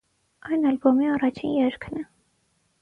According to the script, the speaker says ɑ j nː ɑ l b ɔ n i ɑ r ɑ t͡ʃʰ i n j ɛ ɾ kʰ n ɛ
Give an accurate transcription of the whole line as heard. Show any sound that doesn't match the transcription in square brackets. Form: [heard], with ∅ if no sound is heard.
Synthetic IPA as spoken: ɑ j [n] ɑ l b ɔ [m] i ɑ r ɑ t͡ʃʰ i n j ɛ ɾ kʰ n ɛ